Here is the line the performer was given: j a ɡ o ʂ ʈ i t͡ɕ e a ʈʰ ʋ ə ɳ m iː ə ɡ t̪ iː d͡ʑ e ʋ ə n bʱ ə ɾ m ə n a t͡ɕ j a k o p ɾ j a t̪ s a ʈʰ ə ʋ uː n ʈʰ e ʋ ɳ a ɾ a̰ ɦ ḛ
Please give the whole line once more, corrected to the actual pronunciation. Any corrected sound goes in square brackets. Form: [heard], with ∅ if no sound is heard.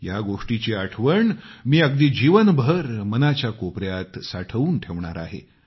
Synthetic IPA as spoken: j a ɡ o ʂ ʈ i t͡ɕ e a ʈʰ ʋ ə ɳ m iː ə ɡ [d̪] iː d͡ʑ [i] ʋ ə n bʱ ə ɾ m ə n a t͡ɕ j a k o p ɾ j a t̪ s a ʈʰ ə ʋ uː n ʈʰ e ʋ ɳ a ɾ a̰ ɦ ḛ